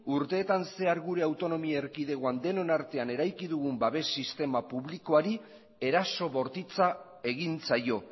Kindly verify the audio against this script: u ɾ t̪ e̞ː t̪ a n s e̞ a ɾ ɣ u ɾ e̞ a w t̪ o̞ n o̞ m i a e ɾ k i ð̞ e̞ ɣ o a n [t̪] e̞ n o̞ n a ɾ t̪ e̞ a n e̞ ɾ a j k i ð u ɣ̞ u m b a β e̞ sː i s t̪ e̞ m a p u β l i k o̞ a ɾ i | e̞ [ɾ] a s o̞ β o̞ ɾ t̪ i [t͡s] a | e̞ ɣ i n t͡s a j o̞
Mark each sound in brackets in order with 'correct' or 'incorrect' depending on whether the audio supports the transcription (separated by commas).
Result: incorrect, correct, correct